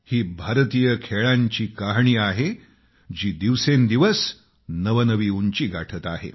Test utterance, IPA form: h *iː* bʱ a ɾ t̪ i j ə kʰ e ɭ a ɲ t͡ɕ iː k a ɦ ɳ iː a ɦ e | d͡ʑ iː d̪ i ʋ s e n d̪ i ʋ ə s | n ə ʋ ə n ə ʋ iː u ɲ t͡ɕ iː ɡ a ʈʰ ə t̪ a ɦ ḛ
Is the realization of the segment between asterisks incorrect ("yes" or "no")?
no